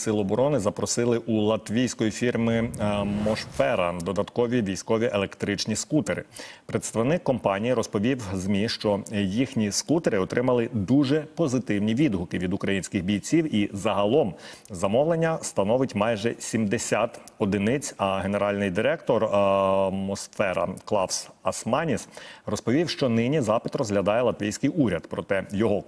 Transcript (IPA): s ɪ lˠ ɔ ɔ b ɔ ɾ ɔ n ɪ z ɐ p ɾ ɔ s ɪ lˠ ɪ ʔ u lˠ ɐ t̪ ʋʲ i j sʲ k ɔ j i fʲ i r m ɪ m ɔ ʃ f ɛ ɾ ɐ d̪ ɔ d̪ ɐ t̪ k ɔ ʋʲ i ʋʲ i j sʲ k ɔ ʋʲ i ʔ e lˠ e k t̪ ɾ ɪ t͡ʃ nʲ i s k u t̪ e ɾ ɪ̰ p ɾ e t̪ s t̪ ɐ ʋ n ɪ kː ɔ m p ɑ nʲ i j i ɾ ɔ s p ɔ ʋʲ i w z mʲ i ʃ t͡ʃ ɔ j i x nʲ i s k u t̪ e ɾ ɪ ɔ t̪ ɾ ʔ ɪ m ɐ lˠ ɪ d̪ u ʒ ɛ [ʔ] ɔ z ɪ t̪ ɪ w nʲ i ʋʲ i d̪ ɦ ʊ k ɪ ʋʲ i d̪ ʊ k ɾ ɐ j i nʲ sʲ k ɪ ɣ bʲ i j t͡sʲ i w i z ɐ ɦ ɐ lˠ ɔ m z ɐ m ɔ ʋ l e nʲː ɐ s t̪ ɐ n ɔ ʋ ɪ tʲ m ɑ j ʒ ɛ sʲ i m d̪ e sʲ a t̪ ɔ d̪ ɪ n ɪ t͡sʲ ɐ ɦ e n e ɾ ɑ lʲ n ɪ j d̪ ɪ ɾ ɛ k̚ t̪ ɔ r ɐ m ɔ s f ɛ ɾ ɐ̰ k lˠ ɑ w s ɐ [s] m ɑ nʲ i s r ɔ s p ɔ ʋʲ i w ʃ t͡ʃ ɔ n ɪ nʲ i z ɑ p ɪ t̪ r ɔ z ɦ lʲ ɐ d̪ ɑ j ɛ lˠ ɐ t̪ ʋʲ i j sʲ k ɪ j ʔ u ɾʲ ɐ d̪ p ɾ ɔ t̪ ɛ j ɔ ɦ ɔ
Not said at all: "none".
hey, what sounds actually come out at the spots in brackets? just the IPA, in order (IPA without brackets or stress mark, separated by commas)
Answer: p, s